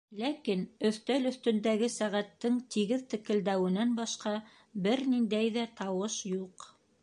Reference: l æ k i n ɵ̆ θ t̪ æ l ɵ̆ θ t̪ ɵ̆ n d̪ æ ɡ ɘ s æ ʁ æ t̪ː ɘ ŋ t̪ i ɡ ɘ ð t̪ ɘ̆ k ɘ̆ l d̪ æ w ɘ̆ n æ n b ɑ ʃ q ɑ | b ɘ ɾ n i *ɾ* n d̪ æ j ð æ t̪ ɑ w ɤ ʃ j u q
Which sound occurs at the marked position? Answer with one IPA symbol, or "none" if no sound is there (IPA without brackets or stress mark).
none